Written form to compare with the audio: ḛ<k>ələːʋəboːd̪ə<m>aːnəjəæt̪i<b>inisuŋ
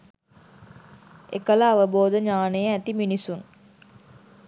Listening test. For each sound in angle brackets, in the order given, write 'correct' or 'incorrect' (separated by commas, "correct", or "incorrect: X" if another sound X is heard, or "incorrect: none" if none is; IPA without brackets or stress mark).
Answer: correct, incorrect: ɲ, incorrect: m